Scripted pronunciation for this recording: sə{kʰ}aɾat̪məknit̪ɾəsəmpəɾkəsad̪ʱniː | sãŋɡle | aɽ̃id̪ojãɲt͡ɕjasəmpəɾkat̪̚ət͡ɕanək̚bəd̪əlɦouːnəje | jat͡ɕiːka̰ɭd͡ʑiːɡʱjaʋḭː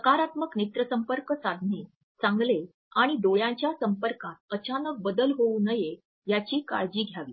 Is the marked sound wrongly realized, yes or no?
yes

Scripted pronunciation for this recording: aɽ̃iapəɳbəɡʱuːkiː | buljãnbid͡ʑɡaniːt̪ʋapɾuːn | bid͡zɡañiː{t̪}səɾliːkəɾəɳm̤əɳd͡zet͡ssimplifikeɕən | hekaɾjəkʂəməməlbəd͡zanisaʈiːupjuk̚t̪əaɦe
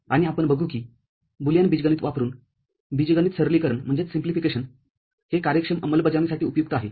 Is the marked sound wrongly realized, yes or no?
no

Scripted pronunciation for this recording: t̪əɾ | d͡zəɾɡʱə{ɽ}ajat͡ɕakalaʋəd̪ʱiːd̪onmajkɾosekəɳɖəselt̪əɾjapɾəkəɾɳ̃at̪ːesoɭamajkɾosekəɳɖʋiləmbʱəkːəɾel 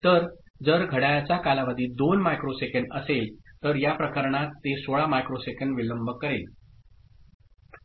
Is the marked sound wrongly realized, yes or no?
no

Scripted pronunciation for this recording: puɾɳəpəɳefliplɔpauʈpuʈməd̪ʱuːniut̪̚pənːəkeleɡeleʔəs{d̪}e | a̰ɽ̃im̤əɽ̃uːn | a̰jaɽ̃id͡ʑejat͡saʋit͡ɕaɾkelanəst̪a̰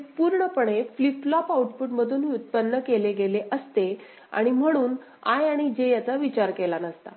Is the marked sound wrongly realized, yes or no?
yes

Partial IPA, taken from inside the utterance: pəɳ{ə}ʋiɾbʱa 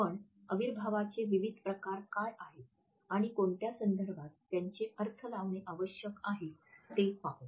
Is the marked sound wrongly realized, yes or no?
no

